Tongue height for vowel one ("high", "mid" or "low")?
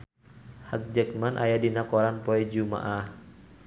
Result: low